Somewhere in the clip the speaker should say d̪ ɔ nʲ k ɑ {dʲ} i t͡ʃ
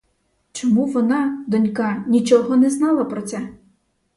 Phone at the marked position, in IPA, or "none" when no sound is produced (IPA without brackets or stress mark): nʲ